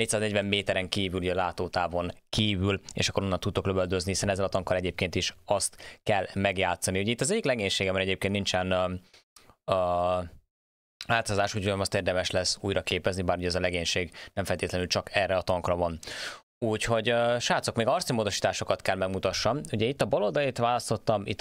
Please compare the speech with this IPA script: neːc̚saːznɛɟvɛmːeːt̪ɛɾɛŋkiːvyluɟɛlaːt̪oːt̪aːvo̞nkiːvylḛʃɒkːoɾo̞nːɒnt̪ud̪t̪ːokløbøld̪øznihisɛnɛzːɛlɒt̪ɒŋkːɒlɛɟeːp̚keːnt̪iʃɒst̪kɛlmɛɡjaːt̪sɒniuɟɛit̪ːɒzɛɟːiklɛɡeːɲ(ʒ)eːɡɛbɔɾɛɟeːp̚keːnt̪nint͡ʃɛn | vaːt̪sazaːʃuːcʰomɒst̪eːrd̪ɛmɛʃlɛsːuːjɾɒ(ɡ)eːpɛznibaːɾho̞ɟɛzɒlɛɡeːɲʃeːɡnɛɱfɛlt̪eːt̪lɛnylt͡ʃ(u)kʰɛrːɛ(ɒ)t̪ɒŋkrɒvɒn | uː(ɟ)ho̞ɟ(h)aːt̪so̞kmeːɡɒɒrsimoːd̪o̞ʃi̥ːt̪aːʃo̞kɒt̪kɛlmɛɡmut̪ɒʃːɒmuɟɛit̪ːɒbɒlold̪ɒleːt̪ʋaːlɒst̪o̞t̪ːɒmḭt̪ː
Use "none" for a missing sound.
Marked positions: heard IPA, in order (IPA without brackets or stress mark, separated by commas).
ʃ, k, ɒ, ɒ, c, ʃ